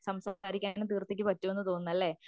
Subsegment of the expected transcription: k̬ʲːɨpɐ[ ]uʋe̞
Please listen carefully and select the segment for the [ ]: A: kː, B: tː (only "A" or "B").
B